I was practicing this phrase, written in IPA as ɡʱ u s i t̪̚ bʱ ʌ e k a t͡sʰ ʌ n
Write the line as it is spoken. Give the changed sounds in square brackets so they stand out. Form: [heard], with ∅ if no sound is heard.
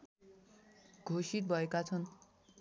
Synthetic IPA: ɡʱ [o] s i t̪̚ bʱ ʌ e k a t͡sʰ ʌ n